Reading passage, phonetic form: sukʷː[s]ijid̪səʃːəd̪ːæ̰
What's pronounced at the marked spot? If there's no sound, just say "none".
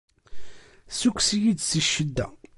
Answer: s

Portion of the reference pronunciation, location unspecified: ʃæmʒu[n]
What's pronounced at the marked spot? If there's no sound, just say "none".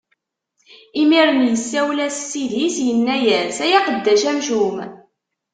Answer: m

